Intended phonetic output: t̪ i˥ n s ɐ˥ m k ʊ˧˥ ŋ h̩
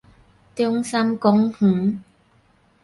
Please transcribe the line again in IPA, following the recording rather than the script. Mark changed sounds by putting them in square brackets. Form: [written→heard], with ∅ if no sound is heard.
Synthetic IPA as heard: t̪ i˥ [n→ŋ] s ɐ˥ m k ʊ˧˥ ŋ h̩